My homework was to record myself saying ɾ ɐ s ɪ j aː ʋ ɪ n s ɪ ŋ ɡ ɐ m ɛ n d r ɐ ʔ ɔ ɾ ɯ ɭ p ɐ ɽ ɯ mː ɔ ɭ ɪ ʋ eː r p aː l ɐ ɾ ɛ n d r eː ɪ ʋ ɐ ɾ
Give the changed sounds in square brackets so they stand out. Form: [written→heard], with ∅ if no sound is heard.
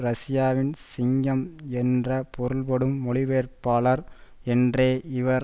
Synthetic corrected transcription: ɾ ɐ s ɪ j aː ʋ ɪ n s ɪ ŋ ɡ ɐ m ɛ n d r ɐ [ʔ→p] ɔ ɾ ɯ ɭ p ɐ ɽ ɯ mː ɔ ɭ ɪ ʋ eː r p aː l ɐ ɾ ɛ n d r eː ɪ ʋ ɐ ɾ